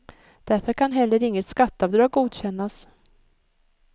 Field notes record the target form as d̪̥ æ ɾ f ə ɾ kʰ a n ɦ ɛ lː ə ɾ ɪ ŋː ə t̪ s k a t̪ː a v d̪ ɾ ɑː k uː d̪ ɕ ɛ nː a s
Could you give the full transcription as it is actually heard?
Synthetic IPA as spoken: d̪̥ æ ɾ f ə ɾ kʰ a n ɦ ɛ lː ə ɾ ɪ ŋː ə t̪ s k a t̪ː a v d̪ ɾ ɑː ɡ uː d̪ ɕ ɛ nː a s

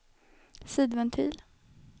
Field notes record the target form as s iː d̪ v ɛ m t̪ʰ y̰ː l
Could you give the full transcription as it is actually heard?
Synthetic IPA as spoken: s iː d̪ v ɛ n t̪ʰ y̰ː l

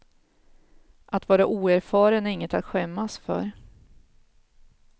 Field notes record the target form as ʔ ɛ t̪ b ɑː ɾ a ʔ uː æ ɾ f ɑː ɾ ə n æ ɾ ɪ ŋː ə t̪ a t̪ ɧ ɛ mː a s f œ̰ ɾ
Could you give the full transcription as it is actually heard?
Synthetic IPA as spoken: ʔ a t̪ v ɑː ɾ a ʔ uː æ ɾ f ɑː ɾ ə n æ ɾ ɪ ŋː ə t̪ a t̪ ɧ ɛ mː a s f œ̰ ɾ

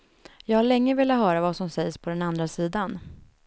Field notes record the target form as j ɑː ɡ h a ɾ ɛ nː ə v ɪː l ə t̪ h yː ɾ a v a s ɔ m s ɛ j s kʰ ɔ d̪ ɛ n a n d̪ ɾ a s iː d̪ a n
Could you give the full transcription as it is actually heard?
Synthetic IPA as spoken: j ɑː ɡ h a ɭ ɛ ŋː ə v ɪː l a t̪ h œː ɾ a v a s ɔ m s ɛ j s pʰ ɔ d̪ ɛ n a n d̪ ɾ a s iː d̪ a n

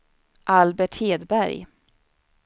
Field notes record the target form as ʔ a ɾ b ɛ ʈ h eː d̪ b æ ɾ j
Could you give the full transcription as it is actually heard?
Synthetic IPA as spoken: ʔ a l b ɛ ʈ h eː d̪ b æ ɾ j

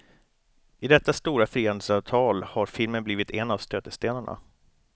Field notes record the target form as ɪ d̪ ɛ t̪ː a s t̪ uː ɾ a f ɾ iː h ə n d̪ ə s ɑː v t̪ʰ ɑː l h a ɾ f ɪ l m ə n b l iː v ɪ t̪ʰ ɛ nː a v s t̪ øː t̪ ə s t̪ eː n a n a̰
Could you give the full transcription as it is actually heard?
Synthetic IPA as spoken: ɪ d̪ ɛ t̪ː a s t̪ uː ɾ a f ɾ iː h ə n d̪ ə s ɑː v t̪ʰ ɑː l h a ɾ f ɪ l m ə n b l iː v ɪ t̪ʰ ɛ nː a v s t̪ øː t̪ ə s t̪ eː n a ɳ a̰

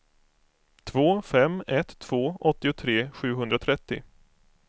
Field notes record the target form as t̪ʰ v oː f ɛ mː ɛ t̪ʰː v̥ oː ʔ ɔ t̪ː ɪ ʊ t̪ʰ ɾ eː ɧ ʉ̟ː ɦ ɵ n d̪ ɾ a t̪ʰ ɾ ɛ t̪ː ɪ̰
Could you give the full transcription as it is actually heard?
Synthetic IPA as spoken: t̪ʰ v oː f ɛ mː ɛ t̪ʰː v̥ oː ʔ ɔ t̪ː ɪ ʊ t̪ʰ ɾ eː ɧ ʉ̟ː ɦ ɵ n d̪ ɾ a t̪ʰ ɾ ɛ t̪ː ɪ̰

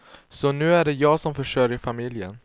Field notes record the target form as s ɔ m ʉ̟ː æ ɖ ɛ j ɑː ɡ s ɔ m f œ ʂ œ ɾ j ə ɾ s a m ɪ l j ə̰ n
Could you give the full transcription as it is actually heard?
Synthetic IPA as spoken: s ɔ n ʉ̟ː æ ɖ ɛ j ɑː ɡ s ɔ m f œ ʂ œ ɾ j ə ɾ f a m ɪ l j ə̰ n

